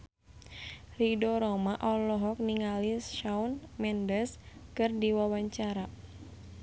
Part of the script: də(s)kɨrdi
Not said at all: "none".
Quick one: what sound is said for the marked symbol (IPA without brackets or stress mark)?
s